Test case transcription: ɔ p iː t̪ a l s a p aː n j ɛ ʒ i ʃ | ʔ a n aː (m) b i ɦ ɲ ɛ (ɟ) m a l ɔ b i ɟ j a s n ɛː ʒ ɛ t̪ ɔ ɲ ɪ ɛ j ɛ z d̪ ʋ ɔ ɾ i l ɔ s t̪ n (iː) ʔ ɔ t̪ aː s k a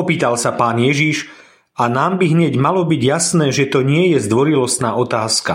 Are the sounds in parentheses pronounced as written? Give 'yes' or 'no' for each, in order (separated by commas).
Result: yes, yes, no